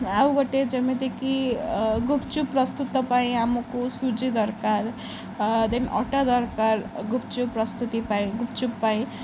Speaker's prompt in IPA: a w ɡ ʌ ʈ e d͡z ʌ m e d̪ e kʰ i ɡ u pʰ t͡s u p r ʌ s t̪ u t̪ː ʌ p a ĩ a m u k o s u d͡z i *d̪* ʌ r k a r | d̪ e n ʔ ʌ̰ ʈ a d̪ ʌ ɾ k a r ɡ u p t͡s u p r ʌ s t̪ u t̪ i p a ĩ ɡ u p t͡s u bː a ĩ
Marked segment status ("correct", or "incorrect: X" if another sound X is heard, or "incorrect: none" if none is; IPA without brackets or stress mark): correct